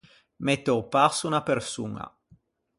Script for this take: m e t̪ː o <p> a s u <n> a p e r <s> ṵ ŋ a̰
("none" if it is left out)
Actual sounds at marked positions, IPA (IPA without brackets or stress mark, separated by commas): p, n, s